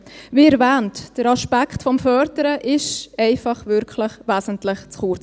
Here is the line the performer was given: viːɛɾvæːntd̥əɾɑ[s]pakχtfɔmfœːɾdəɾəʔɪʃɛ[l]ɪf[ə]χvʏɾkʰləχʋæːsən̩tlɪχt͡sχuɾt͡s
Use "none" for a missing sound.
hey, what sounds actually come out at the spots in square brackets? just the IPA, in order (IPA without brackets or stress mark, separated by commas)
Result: ʃ, none, ɑ